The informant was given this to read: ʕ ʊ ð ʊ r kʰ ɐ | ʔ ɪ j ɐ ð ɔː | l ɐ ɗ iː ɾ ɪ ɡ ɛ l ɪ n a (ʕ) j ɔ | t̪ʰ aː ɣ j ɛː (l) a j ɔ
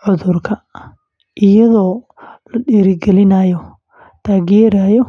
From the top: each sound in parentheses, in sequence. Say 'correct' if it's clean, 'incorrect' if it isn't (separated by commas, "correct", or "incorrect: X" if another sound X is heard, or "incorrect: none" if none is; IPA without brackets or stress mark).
incorrect: none, incorrect: ɾ